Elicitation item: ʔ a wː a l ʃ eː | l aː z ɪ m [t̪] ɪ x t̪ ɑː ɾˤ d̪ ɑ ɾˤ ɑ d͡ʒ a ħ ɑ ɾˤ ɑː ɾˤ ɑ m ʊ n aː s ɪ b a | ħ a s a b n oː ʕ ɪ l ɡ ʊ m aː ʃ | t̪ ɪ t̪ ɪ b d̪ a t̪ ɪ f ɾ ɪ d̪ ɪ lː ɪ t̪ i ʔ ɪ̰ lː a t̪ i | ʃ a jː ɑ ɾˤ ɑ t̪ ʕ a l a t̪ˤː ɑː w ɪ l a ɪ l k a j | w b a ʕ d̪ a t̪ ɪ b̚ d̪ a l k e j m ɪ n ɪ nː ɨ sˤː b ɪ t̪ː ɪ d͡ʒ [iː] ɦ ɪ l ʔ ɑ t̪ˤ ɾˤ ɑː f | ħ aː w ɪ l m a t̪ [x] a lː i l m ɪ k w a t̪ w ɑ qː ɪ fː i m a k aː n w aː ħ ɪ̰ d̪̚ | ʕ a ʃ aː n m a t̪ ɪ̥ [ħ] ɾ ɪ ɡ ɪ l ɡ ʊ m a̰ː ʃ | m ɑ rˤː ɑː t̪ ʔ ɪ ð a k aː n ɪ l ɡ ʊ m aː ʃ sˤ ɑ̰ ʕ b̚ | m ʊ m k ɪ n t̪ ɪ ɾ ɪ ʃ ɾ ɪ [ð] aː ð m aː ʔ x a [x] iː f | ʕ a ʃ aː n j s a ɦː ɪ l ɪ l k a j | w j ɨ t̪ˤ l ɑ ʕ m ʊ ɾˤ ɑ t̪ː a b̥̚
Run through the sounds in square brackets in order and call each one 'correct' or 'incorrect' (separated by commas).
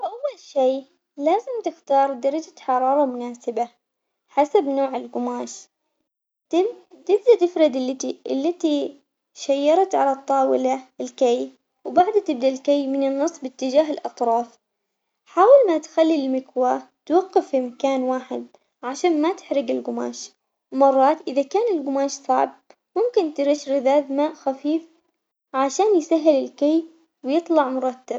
correct, incorrect, correct, correct, correct, incorrect